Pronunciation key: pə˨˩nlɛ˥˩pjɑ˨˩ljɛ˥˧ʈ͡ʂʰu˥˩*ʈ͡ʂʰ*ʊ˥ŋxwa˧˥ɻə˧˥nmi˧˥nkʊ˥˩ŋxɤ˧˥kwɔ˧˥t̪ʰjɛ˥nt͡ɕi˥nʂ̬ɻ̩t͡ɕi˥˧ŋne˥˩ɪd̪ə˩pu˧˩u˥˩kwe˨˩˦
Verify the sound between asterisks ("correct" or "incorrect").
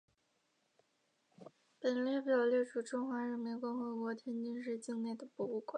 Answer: incorrect